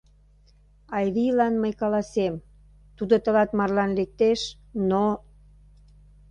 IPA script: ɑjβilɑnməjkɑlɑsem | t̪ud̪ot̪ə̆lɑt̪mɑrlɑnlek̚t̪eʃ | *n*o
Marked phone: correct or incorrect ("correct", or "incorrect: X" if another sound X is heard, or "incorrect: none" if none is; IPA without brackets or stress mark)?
correct